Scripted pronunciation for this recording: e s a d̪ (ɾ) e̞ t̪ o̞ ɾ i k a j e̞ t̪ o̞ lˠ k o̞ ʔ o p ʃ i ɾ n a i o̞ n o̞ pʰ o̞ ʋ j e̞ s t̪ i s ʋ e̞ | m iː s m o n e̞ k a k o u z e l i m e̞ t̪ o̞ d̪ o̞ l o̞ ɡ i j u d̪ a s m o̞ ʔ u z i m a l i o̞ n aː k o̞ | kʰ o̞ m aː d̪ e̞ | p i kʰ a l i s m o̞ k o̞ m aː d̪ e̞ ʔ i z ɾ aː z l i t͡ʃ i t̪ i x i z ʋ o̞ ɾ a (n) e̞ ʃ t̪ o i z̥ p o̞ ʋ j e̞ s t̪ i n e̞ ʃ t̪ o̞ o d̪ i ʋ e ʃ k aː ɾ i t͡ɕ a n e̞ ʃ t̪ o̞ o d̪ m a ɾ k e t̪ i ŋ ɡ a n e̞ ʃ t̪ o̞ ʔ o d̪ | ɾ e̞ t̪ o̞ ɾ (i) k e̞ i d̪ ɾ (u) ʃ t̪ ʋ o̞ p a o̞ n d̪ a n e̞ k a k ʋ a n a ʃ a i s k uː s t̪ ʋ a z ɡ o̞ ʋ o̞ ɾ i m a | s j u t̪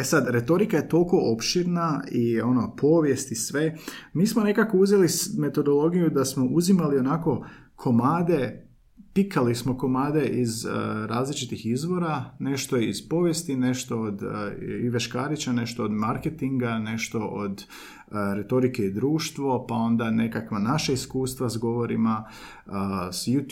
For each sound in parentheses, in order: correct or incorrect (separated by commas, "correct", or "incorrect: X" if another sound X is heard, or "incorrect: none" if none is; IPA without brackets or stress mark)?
correct, correct, correct, incorrect: uː